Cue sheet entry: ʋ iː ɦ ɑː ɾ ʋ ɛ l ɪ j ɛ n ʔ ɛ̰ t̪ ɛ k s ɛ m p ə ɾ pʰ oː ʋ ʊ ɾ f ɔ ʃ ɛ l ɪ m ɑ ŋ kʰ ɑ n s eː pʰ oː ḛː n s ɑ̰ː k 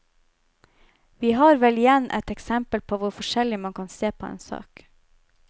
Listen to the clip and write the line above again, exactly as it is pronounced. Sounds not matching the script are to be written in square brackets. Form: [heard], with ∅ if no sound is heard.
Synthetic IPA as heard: ʋ iː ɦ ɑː ɾ ʋ ɛ l ɪ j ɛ n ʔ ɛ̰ t̪ ɛ k s ɛ m p ə [l] pʰ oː ʋ ʊ ɾ f ɔ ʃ ɛ l ɪ m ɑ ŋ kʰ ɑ n s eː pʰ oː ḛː n s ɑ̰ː k